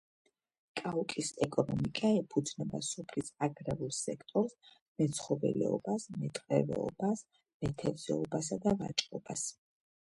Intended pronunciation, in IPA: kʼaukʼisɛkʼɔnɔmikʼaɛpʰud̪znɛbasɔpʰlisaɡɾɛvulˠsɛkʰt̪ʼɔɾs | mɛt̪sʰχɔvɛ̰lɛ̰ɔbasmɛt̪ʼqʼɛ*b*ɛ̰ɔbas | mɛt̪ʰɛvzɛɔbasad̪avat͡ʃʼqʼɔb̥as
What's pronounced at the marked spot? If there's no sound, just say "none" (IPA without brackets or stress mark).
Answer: v